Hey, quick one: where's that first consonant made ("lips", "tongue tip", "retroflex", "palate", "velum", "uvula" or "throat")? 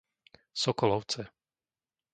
tongue tip